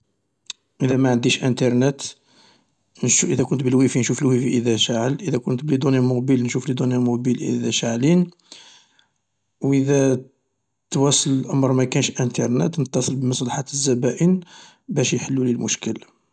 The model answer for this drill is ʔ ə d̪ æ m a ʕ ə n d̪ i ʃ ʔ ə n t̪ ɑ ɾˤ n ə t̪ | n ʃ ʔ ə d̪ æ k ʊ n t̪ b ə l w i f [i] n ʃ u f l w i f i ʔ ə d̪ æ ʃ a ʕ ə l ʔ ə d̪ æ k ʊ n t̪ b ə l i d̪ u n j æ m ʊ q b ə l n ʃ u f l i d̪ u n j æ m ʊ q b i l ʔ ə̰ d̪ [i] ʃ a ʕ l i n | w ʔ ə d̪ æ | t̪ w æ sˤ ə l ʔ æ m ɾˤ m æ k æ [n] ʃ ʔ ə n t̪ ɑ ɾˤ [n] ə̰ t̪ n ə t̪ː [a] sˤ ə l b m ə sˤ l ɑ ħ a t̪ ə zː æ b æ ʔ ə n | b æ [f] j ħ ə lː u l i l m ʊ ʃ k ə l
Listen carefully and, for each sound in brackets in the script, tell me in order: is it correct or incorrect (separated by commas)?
correct, incorrect, correct, correct, incorrect, incorrect